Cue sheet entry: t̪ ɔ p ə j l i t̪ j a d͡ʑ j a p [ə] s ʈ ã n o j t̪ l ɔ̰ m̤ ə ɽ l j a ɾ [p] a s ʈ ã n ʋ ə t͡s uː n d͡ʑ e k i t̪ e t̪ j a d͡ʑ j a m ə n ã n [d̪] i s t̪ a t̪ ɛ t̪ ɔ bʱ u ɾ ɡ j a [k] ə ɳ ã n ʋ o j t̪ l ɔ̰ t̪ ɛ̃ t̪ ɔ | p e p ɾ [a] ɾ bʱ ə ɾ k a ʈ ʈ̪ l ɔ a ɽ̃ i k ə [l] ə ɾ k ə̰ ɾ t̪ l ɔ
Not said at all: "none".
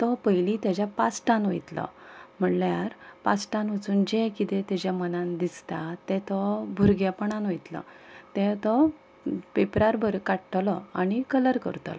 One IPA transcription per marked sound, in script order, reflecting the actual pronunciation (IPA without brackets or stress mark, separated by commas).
a, p, d̪, p, a, l